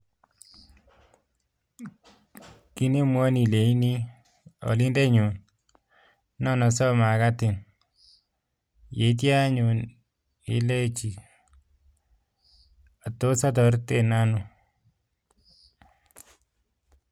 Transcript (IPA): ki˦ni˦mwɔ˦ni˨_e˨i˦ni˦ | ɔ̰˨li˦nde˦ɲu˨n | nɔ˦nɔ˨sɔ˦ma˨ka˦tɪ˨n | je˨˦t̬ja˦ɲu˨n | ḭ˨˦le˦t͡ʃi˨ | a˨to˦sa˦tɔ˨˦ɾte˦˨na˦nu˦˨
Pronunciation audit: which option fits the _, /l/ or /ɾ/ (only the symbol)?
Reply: l